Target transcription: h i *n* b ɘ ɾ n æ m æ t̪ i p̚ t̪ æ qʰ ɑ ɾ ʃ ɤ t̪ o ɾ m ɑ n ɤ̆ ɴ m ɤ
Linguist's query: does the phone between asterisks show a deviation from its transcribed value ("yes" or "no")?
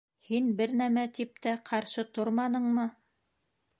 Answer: no